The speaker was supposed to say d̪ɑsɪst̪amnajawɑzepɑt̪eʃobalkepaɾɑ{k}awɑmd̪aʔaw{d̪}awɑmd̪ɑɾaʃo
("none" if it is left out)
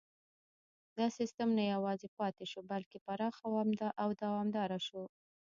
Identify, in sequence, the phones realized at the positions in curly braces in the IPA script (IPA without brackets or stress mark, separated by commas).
x, d̪